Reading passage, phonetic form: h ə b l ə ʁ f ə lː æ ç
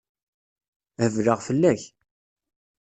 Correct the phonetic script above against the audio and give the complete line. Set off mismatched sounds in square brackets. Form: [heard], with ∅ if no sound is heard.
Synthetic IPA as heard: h ə [v] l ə ʁ f ə lː æ ç